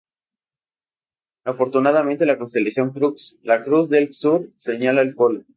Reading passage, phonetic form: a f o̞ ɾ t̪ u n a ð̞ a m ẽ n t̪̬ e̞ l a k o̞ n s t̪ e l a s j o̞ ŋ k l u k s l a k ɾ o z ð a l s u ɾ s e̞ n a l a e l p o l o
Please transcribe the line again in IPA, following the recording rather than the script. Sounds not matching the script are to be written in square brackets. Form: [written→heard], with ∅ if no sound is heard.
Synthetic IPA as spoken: a f o̞ ɾ t̪ u n a ð̞ a m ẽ n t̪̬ e̞ l a k o̞ n s t̪ e l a s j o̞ ŋ k [l→ɾ] u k s l a k ɾ [o→u] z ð [a→e] l s u ɾ s e̞ [n→ɲ] a l a e l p o l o